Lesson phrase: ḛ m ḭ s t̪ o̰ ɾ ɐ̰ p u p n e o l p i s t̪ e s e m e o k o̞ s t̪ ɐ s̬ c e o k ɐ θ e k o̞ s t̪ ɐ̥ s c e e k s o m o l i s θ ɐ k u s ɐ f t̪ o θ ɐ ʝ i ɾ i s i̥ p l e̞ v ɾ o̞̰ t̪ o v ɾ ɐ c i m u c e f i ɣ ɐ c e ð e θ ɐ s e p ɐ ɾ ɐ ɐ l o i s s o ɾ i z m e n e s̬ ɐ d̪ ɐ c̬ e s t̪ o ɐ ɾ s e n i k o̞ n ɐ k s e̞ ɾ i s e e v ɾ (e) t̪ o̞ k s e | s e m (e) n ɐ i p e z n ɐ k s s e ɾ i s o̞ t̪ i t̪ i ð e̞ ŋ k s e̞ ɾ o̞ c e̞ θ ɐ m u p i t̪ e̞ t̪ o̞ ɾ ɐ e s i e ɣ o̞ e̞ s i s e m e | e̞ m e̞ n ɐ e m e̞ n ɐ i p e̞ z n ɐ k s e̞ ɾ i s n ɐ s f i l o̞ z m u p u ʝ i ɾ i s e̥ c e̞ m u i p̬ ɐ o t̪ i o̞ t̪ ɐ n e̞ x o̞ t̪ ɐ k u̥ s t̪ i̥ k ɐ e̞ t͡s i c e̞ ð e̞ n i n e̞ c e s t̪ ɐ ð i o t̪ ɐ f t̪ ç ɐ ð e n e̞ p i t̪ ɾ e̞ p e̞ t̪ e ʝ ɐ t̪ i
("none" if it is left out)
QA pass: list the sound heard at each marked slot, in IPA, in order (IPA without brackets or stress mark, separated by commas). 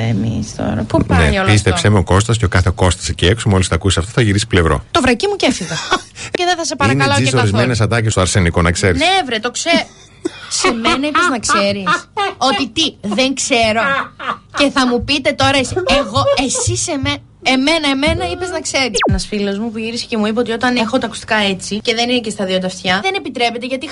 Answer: e, e